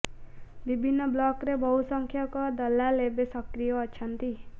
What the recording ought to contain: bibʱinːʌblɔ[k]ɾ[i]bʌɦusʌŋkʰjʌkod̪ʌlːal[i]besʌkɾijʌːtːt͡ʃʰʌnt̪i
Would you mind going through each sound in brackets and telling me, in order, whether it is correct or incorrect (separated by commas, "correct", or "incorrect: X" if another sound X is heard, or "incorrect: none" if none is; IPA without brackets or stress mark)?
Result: correct, incorrect: e, incorrect: e